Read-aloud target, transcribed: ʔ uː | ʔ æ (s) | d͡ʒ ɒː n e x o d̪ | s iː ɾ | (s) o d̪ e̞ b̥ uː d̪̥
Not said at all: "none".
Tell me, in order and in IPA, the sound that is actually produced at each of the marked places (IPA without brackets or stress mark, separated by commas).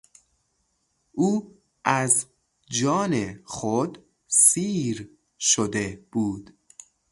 z, ʃ